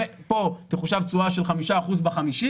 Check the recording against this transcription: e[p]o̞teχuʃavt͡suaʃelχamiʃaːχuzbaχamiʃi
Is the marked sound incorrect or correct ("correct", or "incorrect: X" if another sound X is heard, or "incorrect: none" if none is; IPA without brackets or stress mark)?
correct